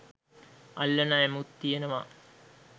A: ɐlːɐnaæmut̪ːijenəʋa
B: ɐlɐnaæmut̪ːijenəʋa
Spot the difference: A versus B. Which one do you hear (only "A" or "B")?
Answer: A